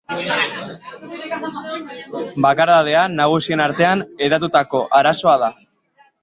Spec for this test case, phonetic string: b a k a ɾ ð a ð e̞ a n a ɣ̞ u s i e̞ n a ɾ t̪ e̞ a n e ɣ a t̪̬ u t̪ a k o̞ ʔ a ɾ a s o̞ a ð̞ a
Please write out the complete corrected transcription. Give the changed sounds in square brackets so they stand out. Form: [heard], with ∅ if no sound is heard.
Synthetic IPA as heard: b a k a ɾ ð a ð e̞ a n a ɣ̞ u s i e̞ n a ɾ t̪ e̞ a n e [ð] a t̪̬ u t̪ a k o̞ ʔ a ɾ a s o̞ a ð̞ a